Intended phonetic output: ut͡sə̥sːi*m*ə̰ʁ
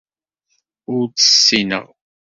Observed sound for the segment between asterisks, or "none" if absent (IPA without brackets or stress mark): n